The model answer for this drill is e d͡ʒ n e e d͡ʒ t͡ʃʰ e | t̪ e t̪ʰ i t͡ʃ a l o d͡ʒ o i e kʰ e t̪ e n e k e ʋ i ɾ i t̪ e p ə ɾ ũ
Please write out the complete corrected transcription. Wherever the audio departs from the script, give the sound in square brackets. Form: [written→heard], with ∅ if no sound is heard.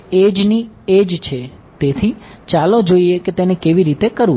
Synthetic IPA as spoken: e d͡ʒ n [e→i] e d͡ʒ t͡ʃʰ e | t̪ e t̪ʰ i t͡ʃ a l o d͡ʒ o i e [kʰ→k] e t̪ e n e k e ʋ i ɾ i t̪ e [p→k] ə ɾ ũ